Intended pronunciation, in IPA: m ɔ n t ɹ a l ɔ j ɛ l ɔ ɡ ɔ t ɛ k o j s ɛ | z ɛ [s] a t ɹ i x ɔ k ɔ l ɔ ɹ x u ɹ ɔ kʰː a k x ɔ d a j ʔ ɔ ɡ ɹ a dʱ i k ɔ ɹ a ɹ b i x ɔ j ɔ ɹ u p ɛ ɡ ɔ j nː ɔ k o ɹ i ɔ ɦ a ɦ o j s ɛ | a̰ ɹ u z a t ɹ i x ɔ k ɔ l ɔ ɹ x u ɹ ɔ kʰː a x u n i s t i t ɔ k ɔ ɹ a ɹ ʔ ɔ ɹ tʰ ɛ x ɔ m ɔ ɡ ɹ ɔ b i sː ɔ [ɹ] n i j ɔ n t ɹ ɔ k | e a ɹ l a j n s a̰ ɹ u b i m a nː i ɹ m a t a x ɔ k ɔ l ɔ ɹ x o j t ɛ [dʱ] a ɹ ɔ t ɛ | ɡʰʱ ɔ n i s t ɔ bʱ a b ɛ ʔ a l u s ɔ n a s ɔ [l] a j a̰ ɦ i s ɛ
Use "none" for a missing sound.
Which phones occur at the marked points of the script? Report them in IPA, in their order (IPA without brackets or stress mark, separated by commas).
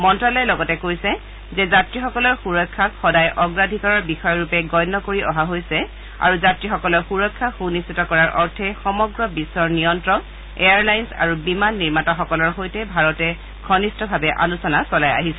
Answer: z, ɹ, bʱ, l